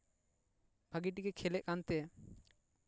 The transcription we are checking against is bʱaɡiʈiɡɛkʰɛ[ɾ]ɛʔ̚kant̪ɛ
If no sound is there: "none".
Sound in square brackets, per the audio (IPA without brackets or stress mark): l